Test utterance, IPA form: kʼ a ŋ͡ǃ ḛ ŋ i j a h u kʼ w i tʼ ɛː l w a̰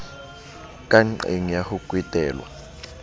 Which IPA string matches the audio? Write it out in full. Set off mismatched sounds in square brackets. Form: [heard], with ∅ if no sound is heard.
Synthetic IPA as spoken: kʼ a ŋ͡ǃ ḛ ŋ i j a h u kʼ w i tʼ ɛː l w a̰